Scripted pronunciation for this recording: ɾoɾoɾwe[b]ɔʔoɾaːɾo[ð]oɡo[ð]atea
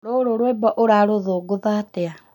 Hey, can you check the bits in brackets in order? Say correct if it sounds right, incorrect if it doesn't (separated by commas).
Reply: correct, correct, correct